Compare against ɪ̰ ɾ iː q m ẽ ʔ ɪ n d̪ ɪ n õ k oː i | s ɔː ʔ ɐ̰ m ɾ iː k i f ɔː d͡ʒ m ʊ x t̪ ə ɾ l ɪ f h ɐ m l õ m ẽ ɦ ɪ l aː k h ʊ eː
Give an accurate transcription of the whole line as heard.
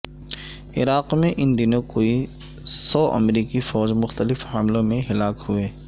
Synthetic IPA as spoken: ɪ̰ ɾ aː q m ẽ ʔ ɪ n d̪ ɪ n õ k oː i | s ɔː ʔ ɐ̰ m ɾ iː k i f ɔː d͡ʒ m ʊ x t̪ ə l ɪ f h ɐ m l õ m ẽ ɦ ɪ l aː k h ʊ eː